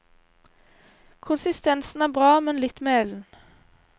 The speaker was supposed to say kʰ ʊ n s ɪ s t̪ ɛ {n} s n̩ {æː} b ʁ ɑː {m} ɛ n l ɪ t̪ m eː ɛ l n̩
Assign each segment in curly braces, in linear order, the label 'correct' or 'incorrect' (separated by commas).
correct, correct, correct